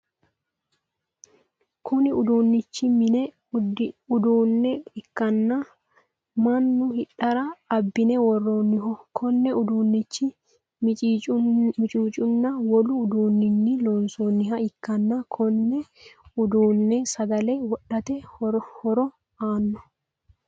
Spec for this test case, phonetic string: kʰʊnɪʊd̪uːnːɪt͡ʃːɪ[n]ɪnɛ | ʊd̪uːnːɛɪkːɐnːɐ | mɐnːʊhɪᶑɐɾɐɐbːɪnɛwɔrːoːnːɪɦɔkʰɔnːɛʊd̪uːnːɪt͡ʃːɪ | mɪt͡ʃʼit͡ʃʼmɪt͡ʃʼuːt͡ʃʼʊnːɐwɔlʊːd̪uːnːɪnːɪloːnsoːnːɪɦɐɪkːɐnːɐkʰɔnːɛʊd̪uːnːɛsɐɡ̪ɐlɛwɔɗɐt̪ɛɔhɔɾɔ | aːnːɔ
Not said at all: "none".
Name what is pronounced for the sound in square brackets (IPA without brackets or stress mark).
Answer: m